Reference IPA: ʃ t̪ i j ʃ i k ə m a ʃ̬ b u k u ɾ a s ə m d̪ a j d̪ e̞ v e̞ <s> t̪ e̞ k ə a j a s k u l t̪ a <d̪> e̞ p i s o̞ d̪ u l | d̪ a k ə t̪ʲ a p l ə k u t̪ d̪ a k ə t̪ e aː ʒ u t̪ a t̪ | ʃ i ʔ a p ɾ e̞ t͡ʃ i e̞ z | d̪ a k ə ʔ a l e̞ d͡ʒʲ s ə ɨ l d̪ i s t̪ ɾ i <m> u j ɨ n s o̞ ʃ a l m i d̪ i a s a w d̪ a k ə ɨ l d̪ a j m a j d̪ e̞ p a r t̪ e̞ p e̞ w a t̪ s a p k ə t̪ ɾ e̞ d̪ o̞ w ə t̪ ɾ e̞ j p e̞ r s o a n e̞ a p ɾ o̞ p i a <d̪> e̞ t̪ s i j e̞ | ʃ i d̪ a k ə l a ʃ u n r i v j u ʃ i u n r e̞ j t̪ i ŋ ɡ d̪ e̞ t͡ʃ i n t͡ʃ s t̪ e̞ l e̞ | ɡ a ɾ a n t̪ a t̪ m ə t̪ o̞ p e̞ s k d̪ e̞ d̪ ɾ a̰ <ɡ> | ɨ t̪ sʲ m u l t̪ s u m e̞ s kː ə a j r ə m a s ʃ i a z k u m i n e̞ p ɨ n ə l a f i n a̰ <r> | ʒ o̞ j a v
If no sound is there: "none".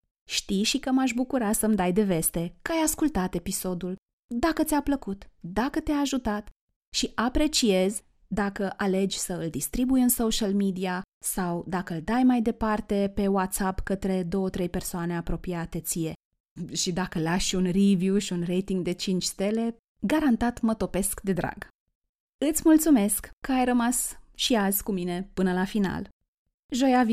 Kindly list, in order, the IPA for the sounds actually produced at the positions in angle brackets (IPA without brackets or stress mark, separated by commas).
s, t̪, b, t̪, ɡ, l